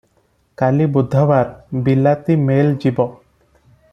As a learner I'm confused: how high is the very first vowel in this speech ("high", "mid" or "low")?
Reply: low